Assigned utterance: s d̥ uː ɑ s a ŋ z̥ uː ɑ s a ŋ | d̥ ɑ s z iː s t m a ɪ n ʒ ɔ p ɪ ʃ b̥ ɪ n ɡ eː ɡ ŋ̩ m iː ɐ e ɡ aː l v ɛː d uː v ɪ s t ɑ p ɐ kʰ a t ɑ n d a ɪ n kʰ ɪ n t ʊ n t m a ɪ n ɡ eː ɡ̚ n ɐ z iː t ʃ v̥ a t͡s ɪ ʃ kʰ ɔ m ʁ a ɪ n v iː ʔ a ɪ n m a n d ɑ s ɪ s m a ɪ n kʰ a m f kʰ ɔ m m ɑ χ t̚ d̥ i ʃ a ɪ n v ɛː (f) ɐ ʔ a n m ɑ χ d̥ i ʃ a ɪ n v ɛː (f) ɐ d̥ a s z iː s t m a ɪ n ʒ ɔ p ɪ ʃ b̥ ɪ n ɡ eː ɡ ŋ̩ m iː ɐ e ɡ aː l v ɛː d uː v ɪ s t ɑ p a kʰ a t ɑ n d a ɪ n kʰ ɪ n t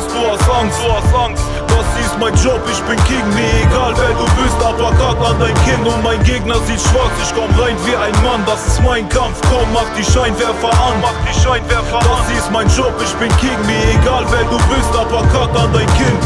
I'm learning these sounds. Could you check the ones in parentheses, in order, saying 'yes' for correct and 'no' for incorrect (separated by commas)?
yes, yes